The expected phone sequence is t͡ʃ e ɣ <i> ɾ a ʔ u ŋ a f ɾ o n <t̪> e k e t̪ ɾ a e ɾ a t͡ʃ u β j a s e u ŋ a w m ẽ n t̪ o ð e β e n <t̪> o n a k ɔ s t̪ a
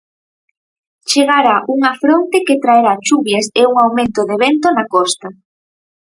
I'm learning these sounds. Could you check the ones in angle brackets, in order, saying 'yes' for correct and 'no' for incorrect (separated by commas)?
no, yes, yes